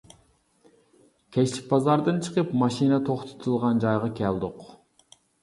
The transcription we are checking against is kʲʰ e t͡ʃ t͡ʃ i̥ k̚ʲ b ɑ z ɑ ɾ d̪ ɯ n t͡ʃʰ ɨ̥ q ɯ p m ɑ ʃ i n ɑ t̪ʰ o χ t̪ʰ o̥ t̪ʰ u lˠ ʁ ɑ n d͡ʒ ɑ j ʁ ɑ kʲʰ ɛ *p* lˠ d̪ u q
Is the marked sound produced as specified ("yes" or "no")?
no